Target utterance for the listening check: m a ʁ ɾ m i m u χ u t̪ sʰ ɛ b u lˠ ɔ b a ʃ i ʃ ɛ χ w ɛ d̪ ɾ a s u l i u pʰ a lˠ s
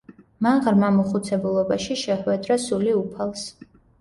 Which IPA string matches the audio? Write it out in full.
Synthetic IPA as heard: m a ʁ ɾ m a m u χ u t̪ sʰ ɛ b u lˠ ɔ b a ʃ i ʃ ɛ χ w ɛ d̪ ɾ a s u l i u pʰ a lˠ s